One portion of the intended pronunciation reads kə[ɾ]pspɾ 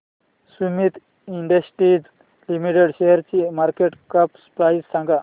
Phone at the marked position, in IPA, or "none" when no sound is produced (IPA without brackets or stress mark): none